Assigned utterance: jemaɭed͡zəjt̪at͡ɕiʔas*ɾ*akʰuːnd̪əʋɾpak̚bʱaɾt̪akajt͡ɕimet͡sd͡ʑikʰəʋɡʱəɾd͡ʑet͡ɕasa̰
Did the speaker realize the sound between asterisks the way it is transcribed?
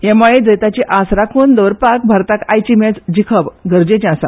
yes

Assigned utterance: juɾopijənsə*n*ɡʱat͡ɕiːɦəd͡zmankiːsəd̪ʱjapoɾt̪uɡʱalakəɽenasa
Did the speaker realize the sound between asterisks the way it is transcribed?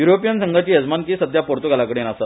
no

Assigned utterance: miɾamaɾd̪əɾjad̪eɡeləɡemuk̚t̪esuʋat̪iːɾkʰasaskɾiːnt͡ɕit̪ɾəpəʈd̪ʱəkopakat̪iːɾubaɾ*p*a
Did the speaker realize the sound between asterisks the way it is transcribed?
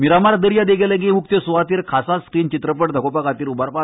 yes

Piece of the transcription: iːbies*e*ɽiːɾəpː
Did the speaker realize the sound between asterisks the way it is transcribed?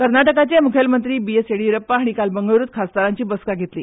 yes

